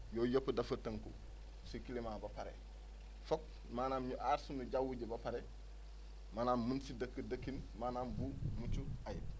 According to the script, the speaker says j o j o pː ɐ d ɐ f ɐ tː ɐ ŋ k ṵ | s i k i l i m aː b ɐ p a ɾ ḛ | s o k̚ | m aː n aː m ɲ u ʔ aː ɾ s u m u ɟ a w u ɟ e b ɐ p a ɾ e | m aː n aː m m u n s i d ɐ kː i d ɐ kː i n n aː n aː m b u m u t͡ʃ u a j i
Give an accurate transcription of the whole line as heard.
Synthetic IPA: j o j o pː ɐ d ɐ f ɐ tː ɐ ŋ k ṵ | s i k i l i m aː b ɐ p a ɾ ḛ | f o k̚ | m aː n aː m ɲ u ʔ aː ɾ s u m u ɟ a w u ɟ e b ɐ p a ɾ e | m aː n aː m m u n s i d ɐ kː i d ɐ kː i n m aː n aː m b u m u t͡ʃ u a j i